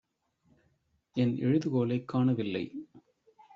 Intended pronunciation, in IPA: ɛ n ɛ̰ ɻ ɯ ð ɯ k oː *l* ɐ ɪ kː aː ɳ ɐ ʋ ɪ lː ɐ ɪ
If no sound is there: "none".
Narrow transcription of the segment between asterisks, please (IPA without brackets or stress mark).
l